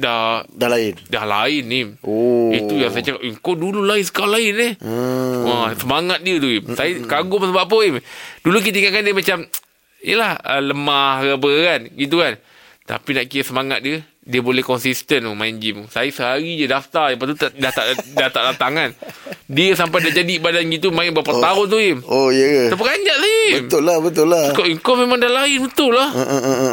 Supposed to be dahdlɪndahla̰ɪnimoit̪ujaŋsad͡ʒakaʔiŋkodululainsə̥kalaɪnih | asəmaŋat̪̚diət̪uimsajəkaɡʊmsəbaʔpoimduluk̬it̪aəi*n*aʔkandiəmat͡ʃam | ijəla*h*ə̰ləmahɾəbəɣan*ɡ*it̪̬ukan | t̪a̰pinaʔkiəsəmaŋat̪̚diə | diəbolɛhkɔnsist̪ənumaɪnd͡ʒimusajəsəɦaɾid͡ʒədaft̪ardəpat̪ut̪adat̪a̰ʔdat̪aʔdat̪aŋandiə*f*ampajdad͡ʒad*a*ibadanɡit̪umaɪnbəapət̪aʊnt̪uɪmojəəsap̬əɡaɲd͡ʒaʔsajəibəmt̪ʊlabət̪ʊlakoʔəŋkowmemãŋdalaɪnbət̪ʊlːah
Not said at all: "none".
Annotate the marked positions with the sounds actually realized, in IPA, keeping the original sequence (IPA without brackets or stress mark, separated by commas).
ŋ, h, ɡ, s, i